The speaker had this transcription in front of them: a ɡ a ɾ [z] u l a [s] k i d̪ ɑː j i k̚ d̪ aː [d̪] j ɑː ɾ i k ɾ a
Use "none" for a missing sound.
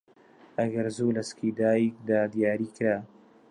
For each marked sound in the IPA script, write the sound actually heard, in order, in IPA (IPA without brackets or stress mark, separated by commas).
z, s, d̪